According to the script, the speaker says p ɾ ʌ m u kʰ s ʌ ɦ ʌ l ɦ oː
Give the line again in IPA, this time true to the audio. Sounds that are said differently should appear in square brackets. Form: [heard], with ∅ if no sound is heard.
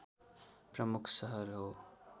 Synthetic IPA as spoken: p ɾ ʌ m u kʰ s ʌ ɦ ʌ [ɾ] ɦ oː